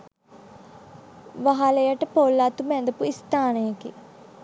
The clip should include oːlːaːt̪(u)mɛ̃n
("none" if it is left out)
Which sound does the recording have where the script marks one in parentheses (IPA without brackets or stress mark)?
u